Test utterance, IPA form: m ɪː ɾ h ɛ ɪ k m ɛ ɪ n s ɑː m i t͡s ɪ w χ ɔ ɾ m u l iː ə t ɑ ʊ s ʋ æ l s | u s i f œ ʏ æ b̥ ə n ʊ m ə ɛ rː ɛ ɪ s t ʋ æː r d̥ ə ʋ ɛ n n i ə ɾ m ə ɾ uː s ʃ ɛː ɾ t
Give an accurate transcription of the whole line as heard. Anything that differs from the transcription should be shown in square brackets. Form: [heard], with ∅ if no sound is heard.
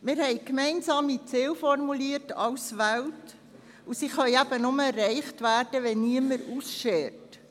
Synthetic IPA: m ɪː ɾ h ɛ ɪ k m ɛ ɪ n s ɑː m i t͡s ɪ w [f] ɔ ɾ m u l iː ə t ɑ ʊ s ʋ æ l [t] | u s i [χ] œ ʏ æ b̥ ə n ʊ m ə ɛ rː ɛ ɪ [χ] t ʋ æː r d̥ ə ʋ ɛ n n i ə [∅] m ə ɾ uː s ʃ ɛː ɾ t

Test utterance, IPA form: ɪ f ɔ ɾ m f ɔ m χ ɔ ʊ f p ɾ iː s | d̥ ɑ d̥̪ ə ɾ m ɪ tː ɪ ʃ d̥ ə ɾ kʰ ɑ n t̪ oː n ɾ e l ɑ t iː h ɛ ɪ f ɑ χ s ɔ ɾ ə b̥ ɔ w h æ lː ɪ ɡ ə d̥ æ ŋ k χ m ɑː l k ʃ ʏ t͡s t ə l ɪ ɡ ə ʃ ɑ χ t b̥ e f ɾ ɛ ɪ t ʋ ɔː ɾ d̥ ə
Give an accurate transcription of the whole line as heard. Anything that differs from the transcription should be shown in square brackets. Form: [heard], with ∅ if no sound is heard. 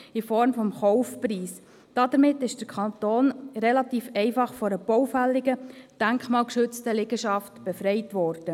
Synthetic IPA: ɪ f ɔ ɾ m f ɔ m χ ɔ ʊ f p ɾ iː s | d̥ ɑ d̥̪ ə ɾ m ɪ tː ɪ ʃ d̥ ə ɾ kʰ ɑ n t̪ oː n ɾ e l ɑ t iː [f] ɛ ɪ f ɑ χ [f] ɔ ɾ ə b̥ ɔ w [f] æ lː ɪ ɡ ə d̥ æ ŋ k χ m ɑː l k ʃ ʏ t͡s t ə l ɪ ɡ ə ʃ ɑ [f] t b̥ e f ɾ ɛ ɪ t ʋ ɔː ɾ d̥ ə

